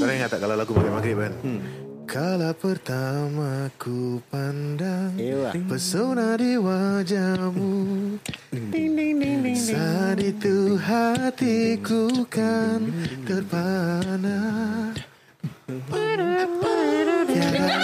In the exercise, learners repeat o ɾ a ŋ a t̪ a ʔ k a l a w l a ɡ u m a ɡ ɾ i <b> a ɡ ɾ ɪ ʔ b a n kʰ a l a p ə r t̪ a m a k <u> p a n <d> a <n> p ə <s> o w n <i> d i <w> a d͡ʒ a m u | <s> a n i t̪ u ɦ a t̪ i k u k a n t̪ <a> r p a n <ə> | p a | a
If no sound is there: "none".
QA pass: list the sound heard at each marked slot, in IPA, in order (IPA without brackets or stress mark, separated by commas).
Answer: m, u, d, ŋ, s, a, w, s, ə, a